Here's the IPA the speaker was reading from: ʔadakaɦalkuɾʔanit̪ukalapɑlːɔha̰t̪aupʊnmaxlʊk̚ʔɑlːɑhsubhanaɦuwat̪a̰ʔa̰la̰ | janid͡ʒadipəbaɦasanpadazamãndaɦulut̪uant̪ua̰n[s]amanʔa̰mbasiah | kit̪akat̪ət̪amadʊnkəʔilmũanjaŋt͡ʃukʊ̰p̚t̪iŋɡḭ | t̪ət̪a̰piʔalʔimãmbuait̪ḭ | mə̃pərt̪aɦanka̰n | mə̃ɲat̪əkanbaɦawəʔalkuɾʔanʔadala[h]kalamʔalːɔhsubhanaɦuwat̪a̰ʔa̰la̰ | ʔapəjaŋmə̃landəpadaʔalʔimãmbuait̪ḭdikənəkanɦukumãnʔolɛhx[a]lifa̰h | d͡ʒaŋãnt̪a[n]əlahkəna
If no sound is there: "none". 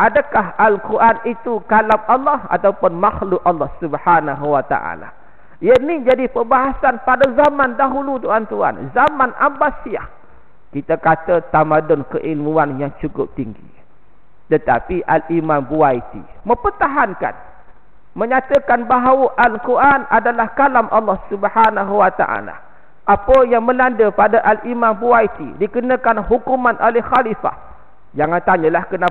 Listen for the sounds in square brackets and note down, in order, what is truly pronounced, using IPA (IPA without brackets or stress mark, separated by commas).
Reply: z, h, a, ɲ